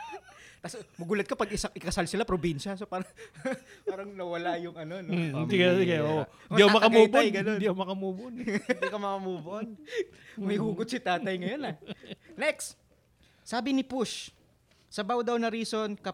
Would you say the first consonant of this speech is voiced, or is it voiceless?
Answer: voiceless